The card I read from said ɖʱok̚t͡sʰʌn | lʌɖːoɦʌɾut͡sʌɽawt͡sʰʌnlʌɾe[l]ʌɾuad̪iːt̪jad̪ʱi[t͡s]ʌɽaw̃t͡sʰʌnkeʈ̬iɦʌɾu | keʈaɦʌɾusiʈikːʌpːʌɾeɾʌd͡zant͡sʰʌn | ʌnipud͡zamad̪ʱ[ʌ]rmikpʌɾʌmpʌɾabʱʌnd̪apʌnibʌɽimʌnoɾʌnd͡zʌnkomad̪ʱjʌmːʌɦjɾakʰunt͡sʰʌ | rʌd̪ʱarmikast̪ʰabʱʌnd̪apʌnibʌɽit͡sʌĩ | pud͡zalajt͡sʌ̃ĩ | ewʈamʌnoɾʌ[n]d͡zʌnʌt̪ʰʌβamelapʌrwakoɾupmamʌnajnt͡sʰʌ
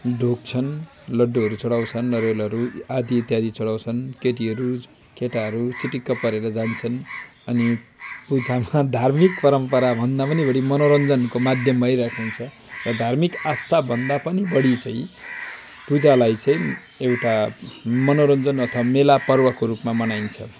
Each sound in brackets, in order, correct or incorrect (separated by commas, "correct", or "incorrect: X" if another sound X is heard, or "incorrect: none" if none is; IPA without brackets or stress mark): correct, correct, incorrect: a, correct